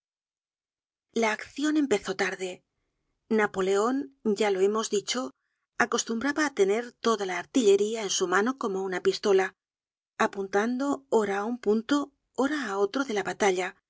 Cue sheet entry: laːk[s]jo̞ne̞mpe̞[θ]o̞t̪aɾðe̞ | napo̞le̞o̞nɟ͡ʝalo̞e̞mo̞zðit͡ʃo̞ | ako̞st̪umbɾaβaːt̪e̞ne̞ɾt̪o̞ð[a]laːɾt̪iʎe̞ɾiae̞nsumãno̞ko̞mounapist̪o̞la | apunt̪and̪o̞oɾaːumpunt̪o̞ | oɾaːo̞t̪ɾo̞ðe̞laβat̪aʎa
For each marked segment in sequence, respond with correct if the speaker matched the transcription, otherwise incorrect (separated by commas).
incorrect, correct, correct